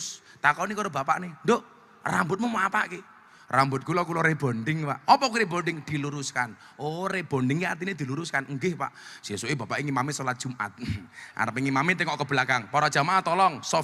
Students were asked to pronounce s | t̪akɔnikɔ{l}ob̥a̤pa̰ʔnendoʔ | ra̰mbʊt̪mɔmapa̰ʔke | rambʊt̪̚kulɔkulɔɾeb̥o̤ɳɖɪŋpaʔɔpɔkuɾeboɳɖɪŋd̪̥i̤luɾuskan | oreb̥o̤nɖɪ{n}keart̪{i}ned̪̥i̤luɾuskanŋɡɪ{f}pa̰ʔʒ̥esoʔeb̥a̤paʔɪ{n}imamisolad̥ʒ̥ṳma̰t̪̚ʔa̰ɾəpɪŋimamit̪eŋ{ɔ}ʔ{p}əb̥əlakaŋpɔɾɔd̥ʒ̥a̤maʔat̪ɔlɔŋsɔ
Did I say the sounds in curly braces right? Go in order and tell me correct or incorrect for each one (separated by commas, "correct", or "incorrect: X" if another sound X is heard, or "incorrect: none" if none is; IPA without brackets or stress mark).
incorrect: ɾ, incorrect: ŋ, correct, incorrect: h, incorrect: ŋ, correct, incorrect: k